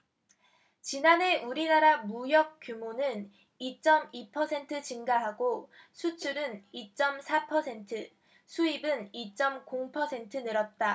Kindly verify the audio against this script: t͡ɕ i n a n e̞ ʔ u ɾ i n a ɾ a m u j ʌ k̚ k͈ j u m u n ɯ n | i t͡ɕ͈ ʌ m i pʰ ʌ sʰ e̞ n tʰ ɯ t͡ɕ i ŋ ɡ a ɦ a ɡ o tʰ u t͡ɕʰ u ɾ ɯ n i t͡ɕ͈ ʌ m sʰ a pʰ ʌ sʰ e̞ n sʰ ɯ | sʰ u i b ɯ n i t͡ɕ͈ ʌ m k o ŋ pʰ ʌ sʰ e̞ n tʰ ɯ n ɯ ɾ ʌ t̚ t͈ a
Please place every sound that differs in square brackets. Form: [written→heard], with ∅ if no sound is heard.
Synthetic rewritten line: t͡ɕ i n a n e̞ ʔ u ɾ i n a ɾ a m u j ʌ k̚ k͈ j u m [u→o] n ɯ n | i t͡ɕ͈ ʌ m i pʰ ʌ sʰ e̞ n tʰ ɯ t͡ɕ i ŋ ɡ a ɦ a ɡ o [tʰ→sʰ] u t͡ɕʰ u ɾ ɯ n i t͡ɕ͈ ʌ m sʰ a pʰ ʌ sʰ e̞ n [sʰ→tʰ] ɯ | sʰ u i b ɯ n i t͡ɕ͈ ʌ m k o ŋ pʰ ʌ sʰ e̞ n tʰ ɯ n ɯ ɾ ʌ t̚ t͈ a